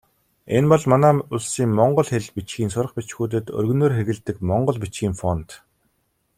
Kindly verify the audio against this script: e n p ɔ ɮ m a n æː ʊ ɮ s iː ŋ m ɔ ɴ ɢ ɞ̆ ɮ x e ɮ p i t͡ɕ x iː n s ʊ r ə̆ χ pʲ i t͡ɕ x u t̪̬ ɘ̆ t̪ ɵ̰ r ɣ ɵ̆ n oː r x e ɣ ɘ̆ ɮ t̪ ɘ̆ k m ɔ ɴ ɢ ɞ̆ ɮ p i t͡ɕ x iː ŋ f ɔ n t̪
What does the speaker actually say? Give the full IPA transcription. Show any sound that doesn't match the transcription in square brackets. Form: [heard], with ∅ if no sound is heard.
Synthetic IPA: e n p ɔ ɮ m a n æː ʊ ɮ s iː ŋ m ɔ ɴ ɢ ɞ̆ ɮ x e ɮ p i t͡ɕ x iː n s ʊ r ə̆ χ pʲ i t͡ɕ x [uː] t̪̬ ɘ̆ t̪ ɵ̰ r ɣ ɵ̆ n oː r x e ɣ ɘ̆ ɮ t̪ ɘ̆ k m ɔ ɴ ɢ ɞ̆ ɮ p i t͡ɕ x iː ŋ f ɔ n t̪